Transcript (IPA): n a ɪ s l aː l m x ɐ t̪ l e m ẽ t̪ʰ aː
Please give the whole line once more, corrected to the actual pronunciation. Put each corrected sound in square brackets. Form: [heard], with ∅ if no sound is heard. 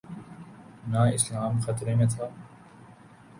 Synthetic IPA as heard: n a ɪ s l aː [∅] m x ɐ t̪ [ɾ] e m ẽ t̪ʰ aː